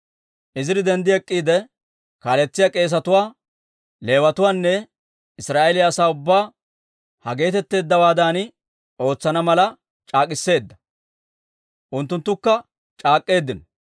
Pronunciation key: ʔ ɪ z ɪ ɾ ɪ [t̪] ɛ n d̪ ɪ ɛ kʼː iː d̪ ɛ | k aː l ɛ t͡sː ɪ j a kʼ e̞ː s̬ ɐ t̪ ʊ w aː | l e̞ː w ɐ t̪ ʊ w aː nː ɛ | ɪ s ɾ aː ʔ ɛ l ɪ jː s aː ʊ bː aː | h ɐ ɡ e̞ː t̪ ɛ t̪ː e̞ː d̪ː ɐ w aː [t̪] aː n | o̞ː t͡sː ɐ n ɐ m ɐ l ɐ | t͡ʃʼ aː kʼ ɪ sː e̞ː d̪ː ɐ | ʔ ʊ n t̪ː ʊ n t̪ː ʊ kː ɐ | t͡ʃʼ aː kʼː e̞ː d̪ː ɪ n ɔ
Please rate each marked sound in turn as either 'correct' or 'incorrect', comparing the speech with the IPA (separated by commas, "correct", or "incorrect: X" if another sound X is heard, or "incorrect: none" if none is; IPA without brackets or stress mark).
incorrect: d̪, incorrect: d̪